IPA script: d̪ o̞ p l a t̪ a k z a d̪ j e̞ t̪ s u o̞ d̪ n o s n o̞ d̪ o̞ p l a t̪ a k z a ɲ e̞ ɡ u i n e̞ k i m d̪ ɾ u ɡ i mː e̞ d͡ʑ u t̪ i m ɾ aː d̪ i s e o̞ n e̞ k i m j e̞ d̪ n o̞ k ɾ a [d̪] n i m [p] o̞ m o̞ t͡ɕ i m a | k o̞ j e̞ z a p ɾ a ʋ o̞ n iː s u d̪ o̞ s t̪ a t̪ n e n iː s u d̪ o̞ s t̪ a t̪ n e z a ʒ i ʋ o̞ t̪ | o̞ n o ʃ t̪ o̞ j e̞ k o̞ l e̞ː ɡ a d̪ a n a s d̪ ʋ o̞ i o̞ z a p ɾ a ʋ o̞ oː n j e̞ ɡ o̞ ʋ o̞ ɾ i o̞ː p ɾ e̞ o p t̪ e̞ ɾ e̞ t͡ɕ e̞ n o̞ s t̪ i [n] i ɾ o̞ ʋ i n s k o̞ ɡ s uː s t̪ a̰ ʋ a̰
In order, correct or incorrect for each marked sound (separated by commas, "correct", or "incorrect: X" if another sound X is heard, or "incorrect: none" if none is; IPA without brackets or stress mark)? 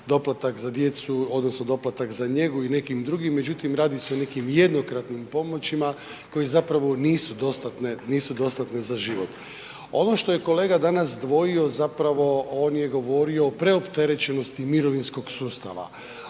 incorrect: t̪, correct, incorrect: m